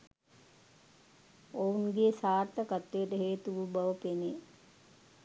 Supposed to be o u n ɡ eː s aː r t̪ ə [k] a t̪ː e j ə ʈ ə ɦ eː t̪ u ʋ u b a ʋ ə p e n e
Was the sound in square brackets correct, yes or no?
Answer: yes